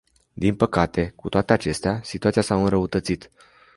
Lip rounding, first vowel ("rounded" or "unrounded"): unrounded